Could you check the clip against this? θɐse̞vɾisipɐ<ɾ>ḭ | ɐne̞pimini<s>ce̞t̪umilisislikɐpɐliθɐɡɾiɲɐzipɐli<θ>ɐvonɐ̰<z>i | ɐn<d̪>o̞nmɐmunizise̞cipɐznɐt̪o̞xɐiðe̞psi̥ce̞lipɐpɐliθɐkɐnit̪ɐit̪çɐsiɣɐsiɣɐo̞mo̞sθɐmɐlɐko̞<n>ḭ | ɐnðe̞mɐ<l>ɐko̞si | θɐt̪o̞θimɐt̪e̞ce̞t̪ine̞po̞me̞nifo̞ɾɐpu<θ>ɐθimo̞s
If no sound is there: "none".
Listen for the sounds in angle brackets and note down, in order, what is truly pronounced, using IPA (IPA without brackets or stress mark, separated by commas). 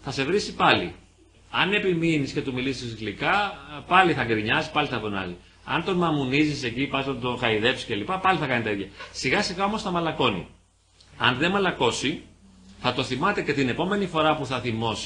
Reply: l, s, θ, z, t̪, n, l, θ